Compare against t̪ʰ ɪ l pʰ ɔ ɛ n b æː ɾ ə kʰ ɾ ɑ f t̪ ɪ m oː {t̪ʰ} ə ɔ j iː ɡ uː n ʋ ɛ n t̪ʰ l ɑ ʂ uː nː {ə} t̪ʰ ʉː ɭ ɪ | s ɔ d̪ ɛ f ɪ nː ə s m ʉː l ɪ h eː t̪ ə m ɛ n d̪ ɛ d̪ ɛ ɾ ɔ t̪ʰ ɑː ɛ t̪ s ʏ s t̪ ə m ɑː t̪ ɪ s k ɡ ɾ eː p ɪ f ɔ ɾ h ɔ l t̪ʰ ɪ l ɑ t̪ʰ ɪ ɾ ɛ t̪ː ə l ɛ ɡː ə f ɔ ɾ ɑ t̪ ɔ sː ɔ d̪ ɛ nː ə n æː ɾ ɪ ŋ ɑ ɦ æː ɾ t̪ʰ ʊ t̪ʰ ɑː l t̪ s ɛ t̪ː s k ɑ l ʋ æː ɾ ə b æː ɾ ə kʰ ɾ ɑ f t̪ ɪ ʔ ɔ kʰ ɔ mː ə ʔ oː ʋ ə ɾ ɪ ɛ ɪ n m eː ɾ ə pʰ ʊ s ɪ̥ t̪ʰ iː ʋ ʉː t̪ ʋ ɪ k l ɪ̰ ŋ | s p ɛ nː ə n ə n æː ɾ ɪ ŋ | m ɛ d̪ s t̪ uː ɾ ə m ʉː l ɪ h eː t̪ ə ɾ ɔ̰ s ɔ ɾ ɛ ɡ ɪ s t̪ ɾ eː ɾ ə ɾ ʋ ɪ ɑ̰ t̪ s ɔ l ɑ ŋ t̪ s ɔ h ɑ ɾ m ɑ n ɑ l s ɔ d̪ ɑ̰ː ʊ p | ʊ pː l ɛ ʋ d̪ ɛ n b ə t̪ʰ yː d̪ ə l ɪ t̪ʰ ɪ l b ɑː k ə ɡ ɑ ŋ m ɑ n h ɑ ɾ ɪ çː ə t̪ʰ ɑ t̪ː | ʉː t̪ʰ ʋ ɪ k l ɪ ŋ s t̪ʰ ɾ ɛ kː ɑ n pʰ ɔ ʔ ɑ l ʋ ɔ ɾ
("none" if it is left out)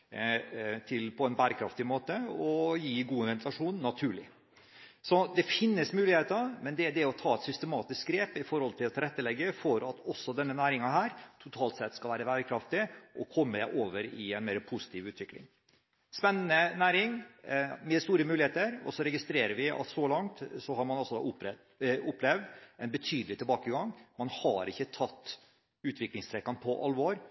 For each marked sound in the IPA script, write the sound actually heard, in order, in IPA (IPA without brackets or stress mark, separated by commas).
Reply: t̪, ɑ